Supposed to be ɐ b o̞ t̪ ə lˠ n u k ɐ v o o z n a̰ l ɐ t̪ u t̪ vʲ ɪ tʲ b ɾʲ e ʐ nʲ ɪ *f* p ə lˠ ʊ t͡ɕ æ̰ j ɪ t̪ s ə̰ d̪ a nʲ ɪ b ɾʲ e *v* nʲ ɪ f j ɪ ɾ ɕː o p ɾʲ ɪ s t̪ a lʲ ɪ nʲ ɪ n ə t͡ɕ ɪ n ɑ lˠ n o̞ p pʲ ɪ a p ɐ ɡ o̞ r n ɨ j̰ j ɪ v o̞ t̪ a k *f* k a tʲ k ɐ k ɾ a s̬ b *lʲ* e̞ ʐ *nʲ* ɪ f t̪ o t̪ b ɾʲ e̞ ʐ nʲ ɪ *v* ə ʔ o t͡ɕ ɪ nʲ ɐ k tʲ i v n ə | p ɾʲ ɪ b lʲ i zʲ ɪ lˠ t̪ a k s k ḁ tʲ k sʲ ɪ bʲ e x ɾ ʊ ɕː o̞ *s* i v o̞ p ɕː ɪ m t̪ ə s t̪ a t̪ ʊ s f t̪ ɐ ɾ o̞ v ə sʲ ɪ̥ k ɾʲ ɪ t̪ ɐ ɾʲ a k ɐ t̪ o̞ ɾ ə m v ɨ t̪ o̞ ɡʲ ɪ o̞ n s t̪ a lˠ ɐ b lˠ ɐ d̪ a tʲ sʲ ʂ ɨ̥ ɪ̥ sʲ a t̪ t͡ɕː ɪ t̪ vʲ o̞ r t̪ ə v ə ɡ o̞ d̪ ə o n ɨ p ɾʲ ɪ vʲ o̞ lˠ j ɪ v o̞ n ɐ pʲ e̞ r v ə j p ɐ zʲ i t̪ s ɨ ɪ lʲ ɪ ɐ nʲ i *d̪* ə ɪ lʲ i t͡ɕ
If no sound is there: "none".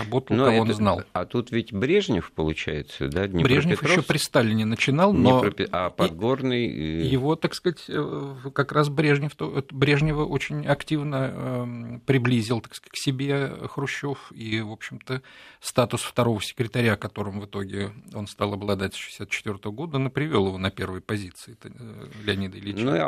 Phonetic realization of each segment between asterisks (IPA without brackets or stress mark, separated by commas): f, ʐ, s, ɾʲ, nʲ, v, f, d̪